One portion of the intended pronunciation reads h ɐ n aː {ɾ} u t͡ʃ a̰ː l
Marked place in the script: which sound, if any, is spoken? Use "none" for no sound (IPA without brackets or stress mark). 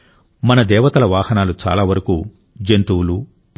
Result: l